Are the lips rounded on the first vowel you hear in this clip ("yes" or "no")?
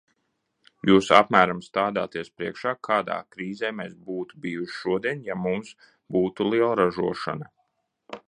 yes